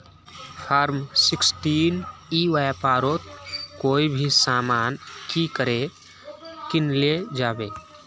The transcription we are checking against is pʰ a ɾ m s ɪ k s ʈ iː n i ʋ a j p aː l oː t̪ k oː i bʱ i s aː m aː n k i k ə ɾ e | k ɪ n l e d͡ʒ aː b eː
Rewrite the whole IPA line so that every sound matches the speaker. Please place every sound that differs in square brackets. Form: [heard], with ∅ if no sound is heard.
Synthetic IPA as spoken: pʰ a ɾ m s ɪ k s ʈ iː n i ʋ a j p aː [ɾ] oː t̪ k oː i bʱ i s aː m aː n k i k ə ɾ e | k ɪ n l e d͡ʒ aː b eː

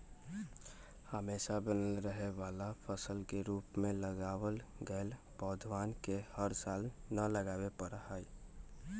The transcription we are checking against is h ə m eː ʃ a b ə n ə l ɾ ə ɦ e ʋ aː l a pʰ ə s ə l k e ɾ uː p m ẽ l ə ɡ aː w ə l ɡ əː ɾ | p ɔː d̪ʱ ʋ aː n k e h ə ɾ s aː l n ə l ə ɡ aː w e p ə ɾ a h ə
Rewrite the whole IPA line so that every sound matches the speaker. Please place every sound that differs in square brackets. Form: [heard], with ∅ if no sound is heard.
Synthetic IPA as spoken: h ə m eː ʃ a b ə n ə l ɾ ə ɦ e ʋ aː l a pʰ ə s ə l k e ɾ uː p m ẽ l ə ɡ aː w ə l ɡ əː [l] | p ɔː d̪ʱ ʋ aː n k e h ə ɾ s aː l n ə l ə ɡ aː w e p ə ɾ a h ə

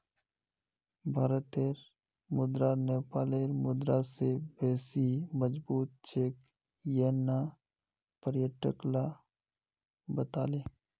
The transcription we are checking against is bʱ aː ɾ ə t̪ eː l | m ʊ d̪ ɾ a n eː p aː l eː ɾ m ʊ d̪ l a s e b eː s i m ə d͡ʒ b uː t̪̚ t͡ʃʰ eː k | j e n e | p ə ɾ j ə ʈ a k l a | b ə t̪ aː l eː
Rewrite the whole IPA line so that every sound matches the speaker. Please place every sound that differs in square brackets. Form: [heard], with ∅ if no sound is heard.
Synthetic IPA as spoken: bʱ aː ɾ ə t̪ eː [ɾ] | m ʊ d̪ ɾ a n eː p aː l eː ɾ m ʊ d̪ [ɾ] a s e b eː s i m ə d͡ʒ b uː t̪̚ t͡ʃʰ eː k | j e n [a] | p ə ɾ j ə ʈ [ə] k l a | b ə t̪ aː l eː

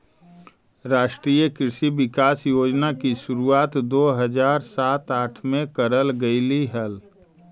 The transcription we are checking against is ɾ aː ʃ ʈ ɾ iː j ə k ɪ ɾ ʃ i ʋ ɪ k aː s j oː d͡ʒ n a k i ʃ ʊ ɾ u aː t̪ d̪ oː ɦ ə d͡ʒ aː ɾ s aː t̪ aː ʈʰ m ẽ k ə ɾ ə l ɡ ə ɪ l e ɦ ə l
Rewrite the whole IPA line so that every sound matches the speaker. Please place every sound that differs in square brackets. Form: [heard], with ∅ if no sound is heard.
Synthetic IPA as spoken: ɾ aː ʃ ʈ ɾ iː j ə k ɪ ɾ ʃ i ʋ ɪ k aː s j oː d͡ʒ n a k i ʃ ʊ ɾ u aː t̪ d̪ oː ɦ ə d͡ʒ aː ɾ s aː t̪ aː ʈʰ m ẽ k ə ɾ ə l ɡ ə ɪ l [i] ɦ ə l

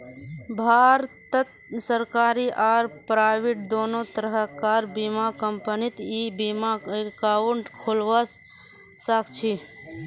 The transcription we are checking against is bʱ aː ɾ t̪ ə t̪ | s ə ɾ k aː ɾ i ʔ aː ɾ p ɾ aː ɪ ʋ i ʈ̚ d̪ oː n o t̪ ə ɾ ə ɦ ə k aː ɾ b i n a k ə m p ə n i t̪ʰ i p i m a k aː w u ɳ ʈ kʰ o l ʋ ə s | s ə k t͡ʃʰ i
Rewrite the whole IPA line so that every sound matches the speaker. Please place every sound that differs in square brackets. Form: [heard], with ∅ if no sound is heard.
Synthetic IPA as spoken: bʱ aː ɾ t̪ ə t̪ | s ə ɾ k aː ɾ i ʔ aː ɾ p ɾ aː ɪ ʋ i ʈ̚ d̪ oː n o t̪ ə ɾ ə ɦ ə k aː ɾ b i [m] a k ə m p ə n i [t̪] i [b] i m a k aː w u ɳ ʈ kʰ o l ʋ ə s | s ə k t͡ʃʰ i

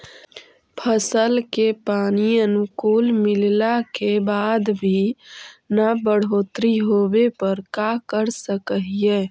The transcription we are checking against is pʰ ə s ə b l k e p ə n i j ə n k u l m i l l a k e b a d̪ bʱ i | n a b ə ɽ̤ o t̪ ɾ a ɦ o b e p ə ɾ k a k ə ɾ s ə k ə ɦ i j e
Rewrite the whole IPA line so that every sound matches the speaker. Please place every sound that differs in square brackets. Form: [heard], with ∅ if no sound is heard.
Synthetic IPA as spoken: pʰ ə s ə [∅] l k e p [a] n i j ə n k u l m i l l a k e b a d̪ bʱ i | n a b ə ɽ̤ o t̪ ɾ [i] ɦ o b e p ə ɾ k a k ə ɾ s ə k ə ɦ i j e

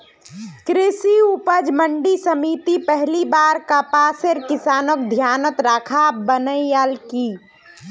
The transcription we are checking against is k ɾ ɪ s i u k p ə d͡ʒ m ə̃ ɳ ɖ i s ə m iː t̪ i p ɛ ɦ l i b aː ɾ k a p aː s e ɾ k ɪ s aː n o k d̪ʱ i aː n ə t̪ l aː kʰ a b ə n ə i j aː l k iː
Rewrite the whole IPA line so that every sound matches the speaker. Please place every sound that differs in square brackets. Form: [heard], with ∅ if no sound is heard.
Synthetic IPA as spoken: k ɾ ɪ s i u [∅] p ə d͡ʒ m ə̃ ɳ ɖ i s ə m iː t̪ i p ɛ ɦ l i b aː ɾ k a p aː s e ɾ k ɪ s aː n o k d̪ʱ [j] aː n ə t̪ [ɾ] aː kʰ a b ə n ə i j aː l k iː

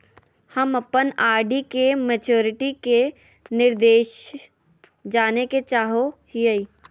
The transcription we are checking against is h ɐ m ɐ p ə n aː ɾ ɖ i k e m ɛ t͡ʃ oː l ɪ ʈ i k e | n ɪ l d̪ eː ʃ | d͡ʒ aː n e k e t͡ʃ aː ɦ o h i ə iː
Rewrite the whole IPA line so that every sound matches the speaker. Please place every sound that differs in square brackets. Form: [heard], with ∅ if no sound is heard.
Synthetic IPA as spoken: h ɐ m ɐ p ə n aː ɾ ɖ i k e m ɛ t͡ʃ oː [ɾ] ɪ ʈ i k e | n ɪ [ɾ] d̪ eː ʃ | d͡ʒ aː n e k e t͡ʃ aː ɦ o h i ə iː

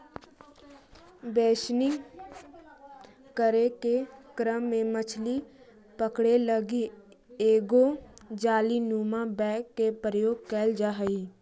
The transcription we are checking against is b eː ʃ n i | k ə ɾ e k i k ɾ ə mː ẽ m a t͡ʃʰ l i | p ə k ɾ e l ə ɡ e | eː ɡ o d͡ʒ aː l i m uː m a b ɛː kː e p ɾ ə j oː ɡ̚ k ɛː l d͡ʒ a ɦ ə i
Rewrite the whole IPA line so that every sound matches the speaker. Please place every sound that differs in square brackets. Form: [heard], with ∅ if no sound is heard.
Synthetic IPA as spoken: b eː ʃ n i | k ə ɾ e k [e] k ɾ ə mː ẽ m [ə] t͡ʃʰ l i | p ə k [ɽ] e l ə ɡ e | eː ɡ o d͡ʒ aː l i [n] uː m a b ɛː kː e p ɾ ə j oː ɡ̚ k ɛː l d͡ʒ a ɦ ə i

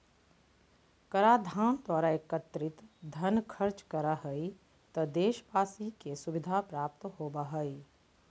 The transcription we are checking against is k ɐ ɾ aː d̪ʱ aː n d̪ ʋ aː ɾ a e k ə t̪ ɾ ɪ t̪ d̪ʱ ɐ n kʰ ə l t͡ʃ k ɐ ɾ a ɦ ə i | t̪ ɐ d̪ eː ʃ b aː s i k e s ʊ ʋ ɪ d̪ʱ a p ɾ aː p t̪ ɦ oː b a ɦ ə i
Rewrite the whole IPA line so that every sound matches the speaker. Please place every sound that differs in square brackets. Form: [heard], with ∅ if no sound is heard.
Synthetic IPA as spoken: k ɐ ɾ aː d̪ʱ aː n d̪ [w] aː ɾ a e k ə t̪ ɾ ɪ t̪ d̪ʱ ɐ n kʰ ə [ɾ] t͡ʃ k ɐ ɾ a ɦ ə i | t̪ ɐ d̪ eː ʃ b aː s i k e s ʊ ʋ ɪ d̪ʱ a p ɾ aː p t̪ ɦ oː b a ɦ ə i

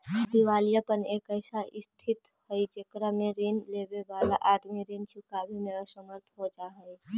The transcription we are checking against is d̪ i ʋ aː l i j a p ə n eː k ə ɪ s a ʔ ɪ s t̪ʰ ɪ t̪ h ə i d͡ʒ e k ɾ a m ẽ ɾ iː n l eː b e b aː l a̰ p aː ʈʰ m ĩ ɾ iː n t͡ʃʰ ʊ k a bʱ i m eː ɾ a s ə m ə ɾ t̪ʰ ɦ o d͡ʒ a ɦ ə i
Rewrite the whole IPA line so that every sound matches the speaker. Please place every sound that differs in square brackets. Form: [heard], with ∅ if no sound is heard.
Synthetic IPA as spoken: d̪ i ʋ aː l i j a p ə n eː k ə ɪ s a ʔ ɪ s t̪ʰ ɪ t̪ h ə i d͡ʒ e k ɾ a m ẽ ɾ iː n l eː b e b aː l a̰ [ʔ] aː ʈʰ m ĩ ɾ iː n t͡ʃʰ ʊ k a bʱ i m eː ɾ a s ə m ə ɾ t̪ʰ ɦ o d͡ʒ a ɦ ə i

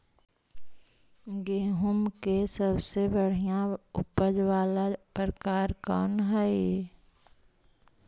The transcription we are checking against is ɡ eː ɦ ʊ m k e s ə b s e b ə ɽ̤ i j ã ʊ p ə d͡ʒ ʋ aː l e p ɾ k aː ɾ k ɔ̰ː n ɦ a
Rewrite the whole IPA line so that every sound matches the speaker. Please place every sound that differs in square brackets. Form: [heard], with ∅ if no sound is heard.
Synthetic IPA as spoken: ɡ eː ɦ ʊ m k e s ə b s e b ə ɽ̤ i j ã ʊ p ə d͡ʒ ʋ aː l [a] p ɾ k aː ɾ k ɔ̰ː n ɦ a

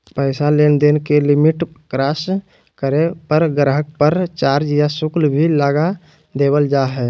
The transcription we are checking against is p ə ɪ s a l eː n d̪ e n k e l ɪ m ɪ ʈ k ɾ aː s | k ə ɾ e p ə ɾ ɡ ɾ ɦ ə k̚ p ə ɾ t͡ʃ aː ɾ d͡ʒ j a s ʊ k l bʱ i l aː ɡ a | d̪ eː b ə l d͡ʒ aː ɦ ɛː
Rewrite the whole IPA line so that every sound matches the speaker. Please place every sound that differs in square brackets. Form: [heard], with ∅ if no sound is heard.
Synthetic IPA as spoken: p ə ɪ s a l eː n d̪ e n k e l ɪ m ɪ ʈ k ɾ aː s | k ə ɾ e p ə ɾ ɡ ɾ ɦ ə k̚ p ə ɾ t͡ʃ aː ɾ d͡ʒ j a s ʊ k l bʱ i l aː ɡ a | d̪ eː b ə l d͡ʒ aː ɦ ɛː

